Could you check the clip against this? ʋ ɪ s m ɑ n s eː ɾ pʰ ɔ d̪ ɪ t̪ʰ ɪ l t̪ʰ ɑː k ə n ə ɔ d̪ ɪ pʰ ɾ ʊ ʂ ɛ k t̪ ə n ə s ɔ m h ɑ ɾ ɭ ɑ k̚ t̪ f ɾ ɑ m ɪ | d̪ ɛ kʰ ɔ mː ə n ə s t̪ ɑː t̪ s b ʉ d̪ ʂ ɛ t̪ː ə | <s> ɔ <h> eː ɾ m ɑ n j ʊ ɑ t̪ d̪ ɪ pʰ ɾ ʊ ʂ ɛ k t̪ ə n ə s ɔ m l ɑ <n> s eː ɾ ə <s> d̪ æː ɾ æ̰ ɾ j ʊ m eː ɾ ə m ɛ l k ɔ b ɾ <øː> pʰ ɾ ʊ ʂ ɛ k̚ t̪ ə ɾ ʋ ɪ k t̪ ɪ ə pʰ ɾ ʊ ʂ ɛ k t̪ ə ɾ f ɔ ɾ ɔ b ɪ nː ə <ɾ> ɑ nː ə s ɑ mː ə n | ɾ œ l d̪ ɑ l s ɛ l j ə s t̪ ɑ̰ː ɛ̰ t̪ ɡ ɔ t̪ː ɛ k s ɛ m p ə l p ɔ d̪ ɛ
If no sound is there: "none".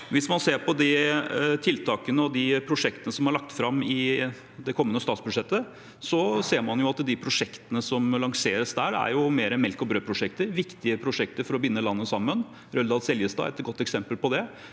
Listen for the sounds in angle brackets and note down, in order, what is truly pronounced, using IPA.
s, s, ŋ, s, øː, l

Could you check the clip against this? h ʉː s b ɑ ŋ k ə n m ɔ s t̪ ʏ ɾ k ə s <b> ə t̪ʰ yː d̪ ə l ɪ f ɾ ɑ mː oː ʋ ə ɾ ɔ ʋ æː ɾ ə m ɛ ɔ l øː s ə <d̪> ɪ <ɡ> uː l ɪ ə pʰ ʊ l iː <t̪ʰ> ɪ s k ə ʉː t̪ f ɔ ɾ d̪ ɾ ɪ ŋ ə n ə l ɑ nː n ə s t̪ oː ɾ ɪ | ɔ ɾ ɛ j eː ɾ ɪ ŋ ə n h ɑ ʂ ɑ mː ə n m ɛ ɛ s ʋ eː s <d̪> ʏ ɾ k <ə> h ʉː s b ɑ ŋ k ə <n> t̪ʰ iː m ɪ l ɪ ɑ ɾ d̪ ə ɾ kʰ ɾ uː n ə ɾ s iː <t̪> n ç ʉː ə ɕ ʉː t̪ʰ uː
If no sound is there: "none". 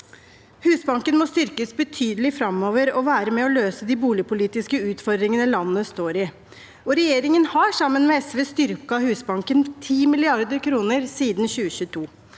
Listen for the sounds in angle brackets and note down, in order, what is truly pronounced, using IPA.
b, d̪, b, t̪, t̪, ɑ, n, d̪

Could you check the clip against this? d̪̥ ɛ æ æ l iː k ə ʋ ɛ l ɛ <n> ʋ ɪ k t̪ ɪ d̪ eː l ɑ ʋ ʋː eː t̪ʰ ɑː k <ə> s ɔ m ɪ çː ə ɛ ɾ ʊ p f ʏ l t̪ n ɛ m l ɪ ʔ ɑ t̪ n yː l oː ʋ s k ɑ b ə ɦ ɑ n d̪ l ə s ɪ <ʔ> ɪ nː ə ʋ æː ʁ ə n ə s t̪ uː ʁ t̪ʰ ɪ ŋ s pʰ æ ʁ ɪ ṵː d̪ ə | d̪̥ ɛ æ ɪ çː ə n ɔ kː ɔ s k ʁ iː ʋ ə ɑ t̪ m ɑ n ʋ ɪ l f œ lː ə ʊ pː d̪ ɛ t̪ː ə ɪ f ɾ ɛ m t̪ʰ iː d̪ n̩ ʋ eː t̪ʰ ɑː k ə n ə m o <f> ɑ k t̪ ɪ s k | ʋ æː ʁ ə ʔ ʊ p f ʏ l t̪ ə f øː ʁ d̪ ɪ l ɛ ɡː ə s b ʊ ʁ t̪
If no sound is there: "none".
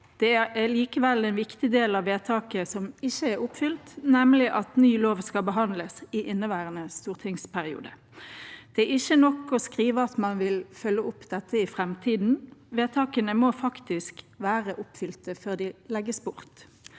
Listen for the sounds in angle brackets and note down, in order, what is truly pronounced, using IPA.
n, ə, ʔ, f

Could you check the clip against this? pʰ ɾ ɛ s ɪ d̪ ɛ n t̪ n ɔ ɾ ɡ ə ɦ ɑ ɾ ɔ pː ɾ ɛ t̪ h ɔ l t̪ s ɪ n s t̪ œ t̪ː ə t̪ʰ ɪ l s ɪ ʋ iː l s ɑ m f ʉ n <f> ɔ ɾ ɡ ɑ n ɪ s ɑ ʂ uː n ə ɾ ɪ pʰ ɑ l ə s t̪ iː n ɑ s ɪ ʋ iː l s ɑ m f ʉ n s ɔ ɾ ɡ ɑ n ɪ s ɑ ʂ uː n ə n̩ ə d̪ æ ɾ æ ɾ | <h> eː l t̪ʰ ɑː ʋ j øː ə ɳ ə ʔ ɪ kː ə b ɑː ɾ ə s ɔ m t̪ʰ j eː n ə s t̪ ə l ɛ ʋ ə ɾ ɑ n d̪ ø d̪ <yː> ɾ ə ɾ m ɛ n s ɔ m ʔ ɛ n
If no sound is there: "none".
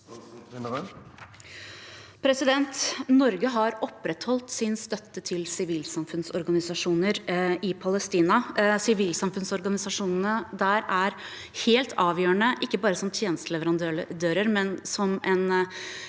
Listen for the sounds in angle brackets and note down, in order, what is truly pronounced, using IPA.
s, h, øː

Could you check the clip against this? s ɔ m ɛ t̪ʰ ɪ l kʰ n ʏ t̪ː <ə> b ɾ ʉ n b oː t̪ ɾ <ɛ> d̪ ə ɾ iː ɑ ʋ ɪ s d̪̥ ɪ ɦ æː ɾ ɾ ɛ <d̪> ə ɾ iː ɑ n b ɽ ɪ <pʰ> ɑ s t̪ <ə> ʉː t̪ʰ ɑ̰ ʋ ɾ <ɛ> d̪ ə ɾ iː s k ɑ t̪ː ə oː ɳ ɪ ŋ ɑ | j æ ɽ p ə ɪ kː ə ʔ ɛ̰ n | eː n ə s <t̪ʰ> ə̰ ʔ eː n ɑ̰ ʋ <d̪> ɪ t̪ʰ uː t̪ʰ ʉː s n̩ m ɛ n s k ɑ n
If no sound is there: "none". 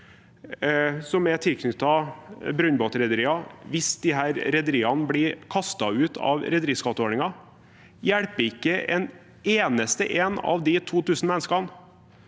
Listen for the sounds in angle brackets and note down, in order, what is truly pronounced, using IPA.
ɑ, ɛ, d̪, kʰ, ɑ, ɛ, t̪, d̪

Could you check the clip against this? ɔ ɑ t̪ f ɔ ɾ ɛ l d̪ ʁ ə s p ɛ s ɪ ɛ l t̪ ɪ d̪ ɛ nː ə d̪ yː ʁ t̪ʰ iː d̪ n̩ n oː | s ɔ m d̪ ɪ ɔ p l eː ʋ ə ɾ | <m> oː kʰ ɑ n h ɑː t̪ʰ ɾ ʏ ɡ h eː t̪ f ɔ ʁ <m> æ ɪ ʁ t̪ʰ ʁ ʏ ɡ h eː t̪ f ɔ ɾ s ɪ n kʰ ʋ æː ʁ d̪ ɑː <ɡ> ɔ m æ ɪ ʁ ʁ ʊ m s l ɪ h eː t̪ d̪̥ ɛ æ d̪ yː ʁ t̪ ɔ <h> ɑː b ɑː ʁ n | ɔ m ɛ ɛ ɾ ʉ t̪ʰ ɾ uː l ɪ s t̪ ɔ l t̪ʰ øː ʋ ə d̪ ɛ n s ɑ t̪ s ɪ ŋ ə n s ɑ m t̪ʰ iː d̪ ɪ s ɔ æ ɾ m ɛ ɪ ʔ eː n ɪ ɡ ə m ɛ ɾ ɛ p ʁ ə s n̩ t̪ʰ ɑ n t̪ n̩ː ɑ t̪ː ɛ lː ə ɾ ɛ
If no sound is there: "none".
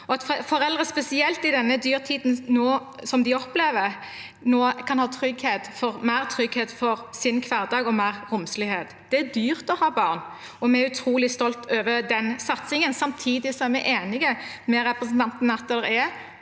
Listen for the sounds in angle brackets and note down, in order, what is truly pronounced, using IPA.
n, m, ɡ, h

